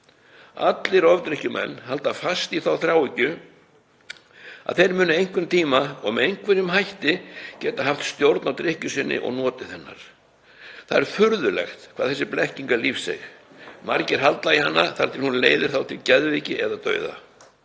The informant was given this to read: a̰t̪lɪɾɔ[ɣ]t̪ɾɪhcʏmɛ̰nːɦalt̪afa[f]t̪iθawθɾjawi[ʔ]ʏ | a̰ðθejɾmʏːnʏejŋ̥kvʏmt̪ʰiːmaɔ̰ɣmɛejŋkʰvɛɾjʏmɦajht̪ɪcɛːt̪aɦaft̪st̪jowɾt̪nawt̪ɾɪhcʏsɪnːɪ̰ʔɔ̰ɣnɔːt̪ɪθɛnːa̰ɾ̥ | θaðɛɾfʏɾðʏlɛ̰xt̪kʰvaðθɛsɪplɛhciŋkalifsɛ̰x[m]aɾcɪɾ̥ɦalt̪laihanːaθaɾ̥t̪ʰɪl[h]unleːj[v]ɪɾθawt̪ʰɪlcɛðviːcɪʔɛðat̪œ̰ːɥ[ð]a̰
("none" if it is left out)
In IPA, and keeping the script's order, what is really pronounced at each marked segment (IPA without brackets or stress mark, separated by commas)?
v, s, c, m, h, ð, ð